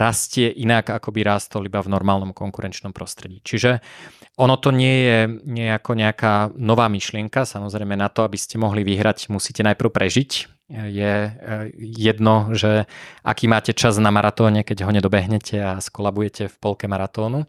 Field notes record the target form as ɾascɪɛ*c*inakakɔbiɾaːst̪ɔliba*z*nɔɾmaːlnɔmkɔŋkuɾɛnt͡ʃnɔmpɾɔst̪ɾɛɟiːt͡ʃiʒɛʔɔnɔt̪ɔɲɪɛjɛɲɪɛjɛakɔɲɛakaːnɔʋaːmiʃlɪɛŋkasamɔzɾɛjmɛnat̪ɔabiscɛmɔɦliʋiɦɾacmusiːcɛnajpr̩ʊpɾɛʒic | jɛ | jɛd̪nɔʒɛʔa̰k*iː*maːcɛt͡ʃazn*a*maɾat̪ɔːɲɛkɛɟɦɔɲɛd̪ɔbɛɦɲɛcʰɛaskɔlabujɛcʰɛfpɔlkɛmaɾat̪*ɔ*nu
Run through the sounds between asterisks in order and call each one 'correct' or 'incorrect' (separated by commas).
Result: incorrect, incorrect, correct, correct, incorrect